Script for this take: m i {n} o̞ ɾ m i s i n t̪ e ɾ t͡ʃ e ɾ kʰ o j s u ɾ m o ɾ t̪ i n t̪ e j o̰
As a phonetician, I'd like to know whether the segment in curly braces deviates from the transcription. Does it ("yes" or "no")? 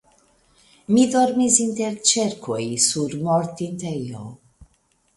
yes